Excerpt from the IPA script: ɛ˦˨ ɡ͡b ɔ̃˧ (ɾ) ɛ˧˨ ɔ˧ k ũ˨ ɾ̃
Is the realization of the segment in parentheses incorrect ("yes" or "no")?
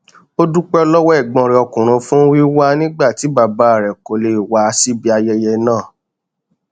no